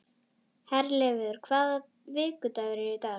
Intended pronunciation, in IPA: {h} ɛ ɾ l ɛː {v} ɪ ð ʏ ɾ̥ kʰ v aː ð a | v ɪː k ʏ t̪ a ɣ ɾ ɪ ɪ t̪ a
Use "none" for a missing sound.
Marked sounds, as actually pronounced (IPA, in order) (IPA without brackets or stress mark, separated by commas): h, v